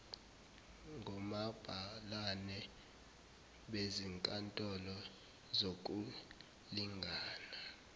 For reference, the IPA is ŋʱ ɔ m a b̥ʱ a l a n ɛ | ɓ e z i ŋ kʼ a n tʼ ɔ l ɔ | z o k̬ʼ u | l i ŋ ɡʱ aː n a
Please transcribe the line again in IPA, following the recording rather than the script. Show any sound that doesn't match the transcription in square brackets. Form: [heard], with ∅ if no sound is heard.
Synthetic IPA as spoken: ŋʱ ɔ m a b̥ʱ a l a n ɛ | ɓ e z i ŋ kʼ a n tʼ ɔ l ɔ | z o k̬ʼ u | l i ŋ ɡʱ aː n a